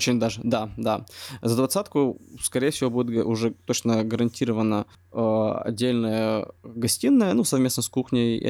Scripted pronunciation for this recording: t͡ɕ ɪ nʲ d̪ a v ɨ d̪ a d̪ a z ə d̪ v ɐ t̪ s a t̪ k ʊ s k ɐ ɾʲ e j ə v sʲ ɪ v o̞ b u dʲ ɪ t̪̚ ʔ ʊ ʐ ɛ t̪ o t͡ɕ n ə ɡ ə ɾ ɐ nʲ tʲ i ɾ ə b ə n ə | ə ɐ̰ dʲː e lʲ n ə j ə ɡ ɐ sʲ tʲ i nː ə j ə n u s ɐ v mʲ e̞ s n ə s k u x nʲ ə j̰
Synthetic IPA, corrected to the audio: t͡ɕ ɪ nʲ d̪ a ʐ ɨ d̪ a d̪ a z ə d̪ v ɐ t̪ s a t̪ k ʊ s k ɐ ɾʲ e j ə f sʲ ɪ v o̞ b u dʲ ɪ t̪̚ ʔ ʊ ʐ ɛ t̪ o t͡ɕ n ə ɡ ə ɾ ɐ nʲ tʲ i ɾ ə v ə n ə | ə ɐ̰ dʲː e lʲ n ə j ə ɡ ɐ sʲ tʲ i nː ə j ə n u s ɐ v mʲ e̞ s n ə s k u x nʲ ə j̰